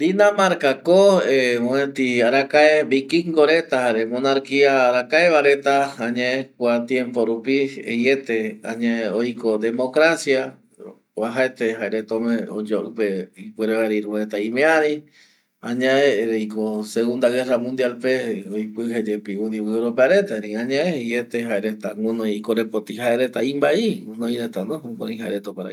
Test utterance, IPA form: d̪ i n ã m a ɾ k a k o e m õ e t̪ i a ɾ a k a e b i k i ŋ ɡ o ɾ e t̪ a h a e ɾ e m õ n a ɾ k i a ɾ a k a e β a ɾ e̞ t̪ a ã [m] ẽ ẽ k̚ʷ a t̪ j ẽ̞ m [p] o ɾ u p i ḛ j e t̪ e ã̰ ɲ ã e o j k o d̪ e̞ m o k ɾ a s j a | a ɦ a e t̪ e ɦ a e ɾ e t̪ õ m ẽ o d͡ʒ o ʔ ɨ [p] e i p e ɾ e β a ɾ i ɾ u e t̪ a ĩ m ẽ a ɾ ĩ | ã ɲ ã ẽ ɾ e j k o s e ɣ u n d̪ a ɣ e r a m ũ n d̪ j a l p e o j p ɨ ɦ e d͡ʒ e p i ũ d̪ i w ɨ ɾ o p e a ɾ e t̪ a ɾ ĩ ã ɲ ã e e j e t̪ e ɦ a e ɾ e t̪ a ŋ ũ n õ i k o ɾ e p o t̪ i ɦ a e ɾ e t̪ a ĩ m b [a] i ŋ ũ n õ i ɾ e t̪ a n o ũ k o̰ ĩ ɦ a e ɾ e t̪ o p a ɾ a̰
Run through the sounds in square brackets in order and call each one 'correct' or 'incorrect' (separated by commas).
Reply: incorrect, correct, correct, correct